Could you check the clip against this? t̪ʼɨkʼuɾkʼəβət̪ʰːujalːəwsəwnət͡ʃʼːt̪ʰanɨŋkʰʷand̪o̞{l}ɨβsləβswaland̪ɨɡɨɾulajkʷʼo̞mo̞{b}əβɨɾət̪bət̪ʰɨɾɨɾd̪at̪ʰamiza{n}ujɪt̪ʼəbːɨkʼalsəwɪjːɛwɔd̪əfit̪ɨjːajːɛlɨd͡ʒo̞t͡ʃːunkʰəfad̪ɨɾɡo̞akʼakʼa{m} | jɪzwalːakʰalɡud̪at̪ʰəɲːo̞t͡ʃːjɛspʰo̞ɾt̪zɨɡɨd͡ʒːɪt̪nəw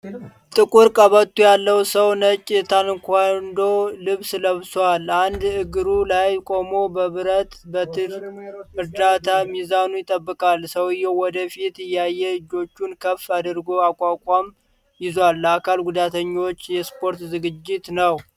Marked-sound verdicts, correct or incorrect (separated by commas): correct, correct, correct, correct